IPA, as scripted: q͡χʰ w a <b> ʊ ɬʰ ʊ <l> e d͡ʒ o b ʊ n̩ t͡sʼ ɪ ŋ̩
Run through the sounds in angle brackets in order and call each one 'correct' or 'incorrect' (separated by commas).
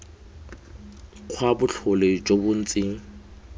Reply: correct, correct